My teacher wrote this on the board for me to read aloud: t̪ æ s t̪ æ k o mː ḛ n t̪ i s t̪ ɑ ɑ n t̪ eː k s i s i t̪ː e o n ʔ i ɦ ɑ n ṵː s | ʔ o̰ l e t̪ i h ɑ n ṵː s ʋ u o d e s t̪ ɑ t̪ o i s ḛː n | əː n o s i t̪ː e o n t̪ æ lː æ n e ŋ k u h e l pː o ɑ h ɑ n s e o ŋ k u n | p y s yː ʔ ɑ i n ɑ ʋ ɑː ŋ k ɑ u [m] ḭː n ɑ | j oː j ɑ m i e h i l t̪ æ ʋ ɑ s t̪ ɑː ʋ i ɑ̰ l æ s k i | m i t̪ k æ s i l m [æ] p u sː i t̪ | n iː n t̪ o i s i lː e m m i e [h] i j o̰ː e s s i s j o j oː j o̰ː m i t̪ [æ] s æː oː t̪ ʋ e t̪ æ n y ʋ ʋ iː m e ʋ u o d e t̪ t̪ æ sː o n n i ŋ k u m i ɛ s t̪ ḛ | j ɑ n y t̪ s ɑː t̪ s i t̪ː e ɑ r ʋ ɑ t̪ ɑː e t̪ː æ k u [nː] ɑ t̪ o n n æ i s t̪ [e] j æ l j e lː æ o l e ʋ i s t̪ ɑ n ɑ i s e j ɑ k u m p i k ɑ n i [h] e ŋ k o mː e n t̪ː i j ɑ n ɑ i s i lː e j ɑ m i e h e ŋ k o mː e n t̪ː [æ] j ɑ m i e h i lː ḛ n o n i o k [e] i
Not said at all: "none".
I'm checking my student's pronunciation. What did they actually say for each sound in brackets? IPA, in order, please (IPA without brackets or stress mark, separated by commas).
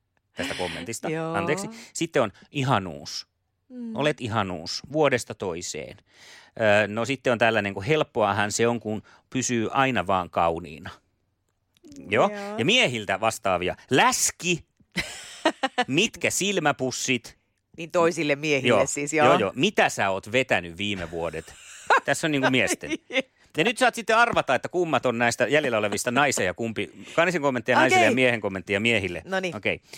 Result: n, æ, h, æ, mː, æ, s, i, e